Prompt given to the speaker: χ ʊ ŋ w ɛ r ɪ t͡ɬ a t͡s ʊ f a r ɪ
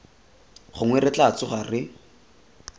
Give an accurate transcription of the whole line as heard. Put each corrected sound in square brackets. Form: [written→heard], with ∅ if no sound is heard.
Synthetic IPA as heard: χ ʊ ŋ w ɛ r ɪ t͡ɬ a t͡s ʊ [f→χ] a r ɪ